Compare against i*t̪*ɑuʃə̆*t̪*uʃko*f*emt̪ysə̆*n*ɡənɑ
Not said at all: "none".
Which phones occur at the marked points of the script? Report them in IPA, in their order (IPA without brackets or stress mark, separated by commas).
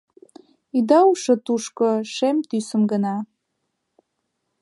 d̪, t̪, ʃ, m